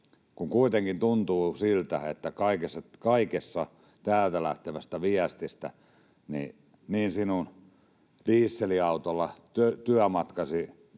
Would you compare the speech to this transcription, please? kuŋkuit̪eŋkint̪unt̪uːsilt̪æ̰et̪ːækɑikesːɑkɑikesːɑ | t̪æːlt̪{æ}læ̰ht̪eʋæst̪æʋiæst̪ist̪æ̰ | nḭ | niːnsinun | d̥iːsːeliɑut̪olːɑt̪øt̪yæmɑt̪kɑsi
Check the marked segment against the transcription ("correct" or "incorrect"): correct